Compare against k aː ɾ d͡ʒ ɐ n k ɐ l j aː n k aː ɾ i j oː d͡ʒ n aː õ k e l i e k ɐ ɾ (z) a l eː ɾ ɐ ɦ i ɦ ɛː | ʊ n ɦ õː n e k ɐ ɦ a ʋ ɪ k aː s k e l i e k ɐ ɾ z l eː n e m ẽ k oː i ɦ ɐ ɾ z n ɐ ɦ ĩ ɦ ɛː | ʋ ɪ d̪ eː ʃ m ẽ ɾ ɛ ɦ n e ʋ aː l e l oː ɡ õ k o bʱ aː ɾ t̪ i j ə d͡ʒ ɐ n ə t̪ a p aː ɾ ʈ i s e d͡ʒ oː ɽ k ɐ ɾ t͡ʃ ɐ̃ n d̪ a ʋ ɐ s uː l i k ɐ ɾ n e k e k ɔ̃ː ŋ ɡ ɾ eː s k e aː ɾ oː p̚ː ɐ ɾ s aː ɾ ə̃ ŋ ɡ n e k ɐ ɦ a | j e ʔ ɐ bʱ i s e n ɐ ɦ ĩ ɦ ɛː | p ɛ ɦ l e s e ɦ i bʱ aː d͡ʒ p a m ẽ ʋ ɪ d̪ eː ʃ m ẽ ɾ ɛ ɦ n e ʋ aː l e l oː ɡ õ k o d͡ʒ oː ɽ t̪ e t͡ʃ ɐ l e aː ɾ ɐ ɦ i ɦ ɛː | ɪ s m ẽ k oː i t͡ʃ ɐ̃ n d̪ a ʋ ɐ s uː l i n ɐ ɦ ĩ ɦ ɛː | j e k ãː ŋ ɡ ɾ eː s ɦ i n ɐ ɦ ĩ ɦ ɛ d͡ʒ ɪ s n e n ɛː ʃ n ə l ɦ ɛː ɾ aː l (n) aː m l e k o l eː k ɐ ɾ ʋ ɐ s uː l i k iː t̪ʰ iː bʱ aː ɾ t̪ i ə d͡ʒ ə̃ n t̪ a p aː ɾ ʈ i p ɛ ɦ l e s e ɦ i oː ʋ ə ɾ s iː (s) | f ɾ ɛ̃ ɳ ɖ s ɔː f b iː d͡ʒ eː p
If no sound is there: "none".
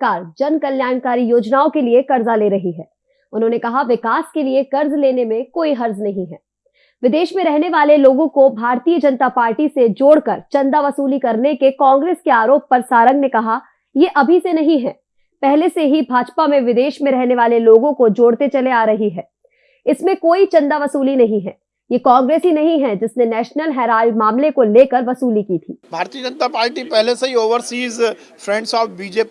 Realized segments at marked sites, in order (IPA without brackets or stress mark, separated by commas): z, m, z